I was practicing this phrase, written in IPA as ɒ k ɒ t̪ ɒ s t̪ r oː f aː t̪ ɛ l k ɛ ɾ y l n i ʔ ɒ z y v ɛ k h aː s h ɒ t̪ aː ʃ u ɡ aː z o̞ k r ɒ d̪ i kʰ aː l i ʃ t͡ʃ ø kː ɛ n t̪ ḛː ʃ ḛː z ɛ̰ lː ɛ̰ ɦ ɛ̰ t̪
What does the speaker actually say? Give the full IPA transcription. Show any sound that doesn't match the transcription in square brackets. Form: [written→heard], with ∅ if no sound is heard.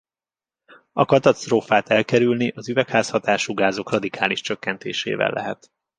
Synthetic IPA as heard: ɒ k ɒ t̪ ɒ s t̪ r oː f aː t̪ ɛ l k ɛ ɾ y l n i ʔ ɒ z y v ɛ k h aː s h ɒ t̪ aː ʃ u ɡ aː z o̞ k r ɒ d̪ i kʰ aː l i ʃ t͡ʃ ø kː ɛ n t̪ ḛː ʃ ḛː [z→v] ɛ̰ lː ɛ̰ ɦ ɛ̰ t̪